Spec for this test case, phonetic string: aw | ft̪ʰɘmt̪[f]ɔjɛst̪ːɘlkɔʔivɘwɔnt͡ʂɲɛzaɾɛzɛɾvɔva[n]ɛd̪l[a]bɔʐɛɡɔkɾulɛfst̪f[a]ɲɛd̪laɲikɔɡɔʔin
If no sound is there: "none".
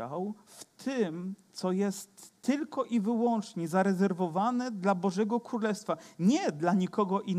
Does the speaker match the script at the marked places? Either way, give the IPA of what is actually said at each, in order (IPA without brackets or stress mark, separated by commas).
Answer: s, n, a, a